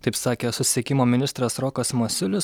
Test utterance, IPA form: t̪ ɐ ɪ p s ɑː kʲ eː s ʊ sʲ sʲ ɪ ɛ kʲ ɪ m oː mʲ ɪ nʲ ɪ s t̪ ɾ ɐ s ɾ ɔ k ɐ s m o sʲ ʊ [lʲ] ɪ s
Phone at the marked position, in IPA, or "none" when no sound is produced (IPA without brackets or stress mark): lʲ